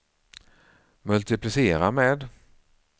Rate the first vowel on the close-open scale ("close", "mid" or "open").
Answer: mid